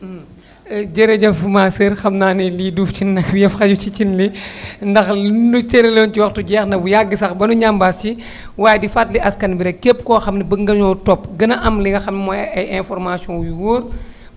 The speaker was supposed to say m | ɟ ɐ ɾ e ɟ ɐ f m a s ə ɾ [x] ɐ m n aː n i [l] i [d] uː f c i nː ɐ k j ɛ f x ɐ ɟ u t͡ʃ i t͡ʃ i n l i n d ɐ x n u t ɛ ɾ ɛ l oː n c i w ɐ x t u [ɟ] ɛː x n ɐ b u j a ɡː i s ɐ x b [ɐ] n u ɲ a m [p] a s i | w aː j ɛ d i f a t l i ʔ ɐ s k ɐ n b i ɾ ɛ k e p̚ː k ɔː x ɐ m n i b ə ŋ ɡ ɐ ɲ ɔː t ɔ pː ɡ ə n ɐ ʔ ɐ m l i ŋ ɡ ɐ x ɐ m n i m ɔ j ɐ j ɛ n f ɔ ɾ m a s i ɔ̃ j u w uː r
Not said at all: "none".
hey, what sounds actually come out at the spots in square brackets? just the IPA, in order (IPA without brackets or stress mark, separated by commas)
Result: x, l, d, ɟ, ɐ, b